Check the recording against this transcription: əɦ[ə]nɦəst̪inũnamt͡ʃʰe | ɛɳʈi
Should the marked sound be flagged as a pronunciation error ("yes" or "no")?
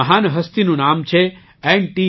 yes